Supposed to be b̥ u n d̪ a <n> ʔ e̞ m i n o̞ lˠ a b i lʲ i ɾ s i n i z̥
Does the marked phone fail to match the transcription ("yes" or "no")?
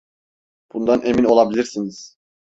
no